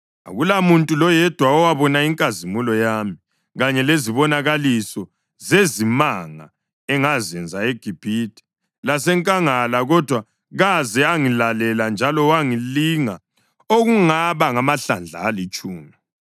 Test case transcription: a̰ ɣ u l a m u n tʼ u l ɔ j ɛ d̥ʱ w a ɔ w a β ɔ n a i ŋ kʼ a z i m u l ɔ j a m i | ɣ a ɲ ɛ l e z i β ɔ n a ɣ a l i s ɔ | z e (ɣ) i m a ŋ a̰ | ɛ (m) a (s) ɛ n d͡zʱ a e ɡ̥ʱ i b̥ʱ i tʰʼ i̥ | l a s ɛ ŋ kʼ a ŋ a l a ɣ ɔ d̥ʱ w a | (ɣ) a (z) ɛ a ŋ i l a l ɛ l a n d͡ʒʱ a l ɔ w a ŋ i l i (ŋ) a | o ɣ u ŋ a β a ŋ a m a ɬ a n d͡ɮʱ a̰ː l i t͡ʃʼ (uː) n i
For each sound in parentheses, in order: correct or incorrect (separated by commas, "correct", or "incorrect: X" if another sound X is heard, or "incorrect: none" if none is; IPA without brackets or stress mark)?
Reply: incorrect: z, incorrect: ŋ, incorrect: z, correct, correct, correct, correct